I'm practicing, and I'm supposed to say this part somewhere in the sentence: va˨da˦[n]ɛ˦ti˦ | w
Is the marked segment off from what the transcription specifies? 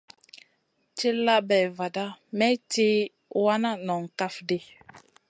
yes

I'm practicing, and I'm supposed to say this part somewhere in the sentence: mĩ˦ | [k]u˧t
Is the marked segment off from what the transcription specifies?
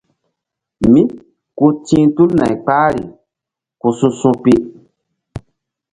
no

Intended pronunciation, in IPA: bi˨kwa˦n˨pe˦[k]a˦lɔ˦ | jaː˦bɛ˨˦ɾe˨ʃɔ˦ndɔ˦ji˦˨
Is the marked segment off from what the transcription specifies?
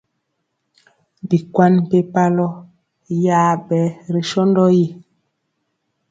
yes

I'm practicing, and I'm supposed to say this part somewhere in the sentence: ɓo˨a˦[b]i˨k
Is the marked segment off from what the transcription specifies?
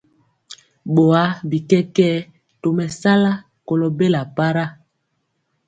no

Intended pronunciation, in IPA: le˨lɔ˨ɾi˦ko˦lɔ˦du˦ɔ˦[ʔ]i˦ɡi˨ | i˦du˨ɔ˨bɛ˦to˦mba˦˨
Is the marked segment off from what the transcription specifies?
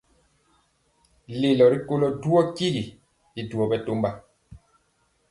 yes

